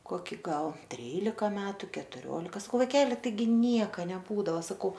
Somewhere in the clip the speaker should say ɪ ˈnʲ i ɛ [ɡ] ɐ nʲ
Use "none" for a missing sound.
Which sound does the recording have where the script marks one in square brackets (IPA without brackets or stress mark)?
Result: k